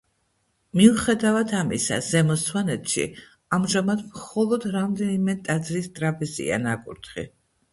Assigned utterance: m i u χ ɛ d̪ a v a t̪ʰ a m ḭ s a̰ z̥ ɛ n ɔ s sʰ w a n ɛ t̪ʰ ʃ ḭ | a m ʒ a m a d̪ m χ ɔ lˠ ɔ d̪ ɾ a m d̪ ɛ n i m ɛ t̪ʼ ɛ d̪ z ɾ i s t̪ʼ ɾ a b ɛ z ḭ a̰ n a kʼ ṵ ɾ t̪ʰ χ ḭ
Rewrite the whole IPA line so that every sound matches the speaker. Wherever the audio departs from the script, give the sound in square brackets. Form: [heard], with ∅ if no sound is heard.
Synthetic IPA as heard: m i u χ ɛ d̪ a v a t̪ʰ a m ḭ s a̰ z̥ ɛ [m] ɔ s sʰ w a n ɛ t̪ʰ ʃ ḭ | a m ʒ a m a d̪ m χ ɔ lˠ ɔ d̪ ɾ a m d̪ ɛ n i m ɛ t̪ʼ [a] d̪ z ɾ i s t̪ʼ ɾ a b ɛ z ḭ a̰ n a kʼ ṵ ɾ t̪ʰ χ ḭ

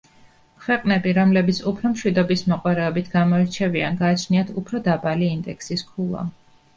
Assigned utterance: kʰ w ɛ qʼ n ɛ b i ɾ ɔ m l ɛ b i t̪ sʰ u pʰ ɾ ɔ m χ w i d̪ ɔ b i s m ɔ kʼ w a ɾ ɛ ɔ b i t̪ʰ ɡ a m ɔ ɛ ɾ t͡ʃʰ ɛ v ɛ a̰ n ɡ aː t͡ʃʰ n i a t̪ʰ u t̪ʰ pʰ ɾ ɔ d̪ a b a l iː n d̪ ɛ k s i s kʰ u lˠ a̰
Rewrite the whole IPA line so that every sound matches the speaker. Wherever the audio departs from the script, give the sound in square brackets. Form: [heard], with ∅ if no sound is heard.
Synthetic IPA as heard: kʰ w ɛ qʼ n ɛ b i ɾ ɔ m l ɛ b i t̪ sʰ u pʰ ɾ ɔ m [ʃ] w i d̪ ɔ b i s m ɔ [qʼ] w a ɾ ɛ ɔ b i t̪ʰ ɡ a m ɔ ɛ ɾ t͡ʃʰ ɛ v [i] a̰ n ɡ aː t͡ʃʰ n i a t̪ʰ u [∅] pʰ ɾ ɔ d̪ a b a l iː n d̪ ɛ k s i s kʰ u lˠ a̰

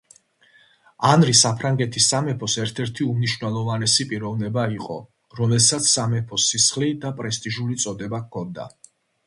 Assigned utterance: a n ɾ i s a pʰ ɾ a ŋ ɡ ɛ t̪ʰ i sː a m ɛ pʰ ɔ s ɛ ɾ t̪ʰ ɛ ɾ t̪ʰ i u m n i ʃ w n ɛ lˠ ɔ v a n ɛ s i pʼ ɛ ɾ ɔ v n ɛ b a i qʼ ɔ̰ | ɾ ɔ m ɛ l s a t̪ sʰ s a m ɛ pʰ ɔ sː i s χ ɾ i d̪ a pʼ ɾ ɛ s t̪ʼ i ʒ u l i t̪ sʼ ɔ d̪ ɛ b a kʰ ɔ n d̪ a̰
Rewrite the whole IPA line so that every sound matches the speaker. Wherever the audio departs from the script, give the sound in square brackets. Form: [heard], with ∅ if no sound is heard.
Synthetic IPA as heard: a n ɾ i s a pʰ ɾ a ŋ ɡ ɛ t̪ʰ i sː a m ɛ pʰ ɔ s ɛ ɾ t̪ʰ ɛ ɾ t̪ʰ i u m n i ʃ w n ɛ lˠ ɔ v a n ɛ s i pʼ [i] ɾ ɔ v n ɛ b a i qʼ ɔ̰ | ɾ ɔ m ɛ l s a t̪ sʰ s a m ɛ pʰ ɔ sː i s χ [l] i d̪ a pʼ ɾ ɛ s t̪ʼ i ʒ u l i t̪ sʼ ɔ d̪ ɛ b a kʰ ɔ n d̪ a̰

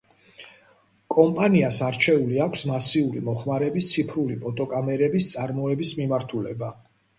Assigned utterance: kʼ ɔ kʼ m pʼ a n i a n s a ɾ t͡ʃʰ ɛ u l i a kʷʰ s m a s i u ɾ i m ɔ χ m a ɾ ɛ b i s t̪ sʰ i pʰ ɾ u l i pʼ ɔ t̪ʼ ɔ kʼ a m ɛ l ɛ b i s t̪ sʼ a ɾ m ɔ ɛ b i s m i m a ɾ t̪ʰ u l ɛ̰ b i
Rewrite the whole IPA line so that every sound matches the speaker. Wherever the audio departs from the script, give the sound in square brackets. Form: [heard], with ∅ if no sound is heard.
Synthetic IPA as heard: kʼ ɔ [∅] m pʼ a n i a [∅] s a ɾ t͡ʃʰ ɛ u l i a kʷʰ s m a s i u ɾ i m ɔ χ m a ɾ ɛ b i s t̪ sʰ i pʰ ɾ u l i pʼ ɔ t̪ʼ ɔ kʼ a m ɛ [ɾ] ɛ b i s t̪ sʼ a ɾ m ɔ ɛ b i s m i m a ɾ t̪ʰ u l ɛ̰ b [a]

